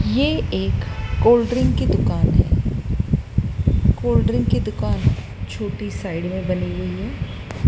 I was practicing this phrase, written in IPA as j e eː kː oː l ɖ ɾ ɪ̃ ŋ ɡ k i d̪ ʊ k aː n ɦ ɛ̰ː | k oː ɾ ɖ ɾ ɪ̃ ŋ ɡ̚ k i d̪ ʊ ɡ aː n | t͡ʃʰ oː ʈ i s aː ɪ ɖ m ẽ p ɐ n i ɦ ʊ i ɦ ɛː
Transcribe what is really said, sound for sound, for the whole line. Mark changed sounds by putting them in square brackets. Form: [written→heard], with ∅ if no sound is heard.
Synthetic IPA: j e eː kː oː l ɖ ɾ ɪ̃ ŋ ɡ k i d̪ ʊ k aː n ɦ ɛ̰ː | k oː [ɾ→l] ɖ ɾ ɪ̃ ŋ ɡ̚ k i d̪ ʊ [ɡ→k] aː n | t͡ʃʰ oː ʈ i s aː ɪ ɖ m ẽ [p→b] ɐ n i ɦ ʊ i ɦ ɛː